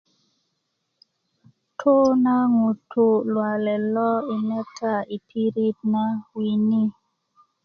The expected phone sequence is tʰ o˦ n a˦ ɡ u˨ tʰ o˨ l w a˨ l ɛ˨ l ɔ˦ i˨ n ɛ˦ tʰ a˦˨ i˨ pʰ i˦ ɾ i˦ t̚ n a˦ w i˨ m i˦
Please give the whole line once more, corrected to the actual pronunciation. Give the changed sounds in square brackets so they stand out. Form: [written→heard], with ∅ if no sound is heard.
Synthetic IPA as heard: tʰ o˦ n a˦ [ɡ→ŋ] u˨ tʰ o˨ l w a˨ l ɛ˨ l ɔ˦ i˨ n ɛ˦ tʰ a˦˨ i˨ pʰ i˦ ɾ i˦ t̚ n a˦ w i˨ [m→n] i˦